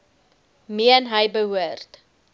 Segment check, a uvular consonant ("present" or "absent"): absent